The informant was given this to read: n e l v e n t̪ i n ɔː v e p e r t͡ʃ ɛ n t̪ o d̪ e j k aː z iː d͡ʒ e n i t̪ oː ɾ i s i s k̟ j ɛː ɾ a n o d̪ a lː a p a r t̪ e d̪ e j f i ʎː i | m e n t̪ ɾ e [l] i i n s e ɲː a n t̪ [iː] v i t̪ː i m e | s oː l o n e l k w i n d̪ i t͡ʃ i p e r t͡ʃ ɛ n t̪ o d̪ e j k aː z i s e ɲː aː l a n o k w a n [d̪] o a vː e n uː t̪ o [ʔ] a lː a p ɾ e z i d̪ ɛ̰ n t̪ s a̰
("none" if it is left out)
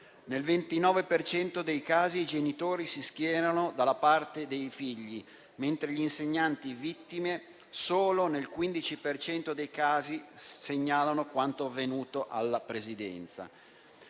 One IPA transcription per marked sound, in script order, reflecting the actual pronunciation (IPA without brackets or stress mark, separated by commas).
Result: ʎ, i, t̪, ʔ